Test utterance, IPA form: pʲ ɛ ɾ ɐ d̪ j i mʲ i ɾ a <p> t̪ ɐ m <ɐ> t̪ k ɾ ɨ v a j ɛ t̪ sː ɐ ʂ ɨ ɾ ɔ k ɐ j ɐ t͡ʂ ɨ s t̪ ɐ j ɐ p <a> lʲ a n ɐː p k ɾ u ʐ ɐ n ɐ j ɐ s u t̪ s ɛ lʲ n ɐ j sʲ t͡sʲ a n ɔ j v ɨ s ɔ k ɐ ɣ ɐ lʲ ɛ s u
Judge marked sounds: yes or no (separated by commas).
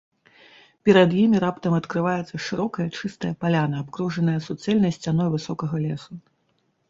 yes, yes, yes